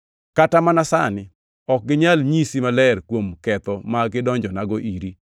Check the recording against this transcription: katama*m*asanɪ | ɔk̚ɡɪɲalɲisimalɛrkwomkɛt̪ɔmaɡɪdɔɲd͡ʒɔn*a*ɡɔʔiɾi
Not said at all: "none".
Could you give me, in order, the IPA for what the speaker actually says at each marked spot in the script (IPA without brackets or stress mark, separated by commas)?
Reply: n, a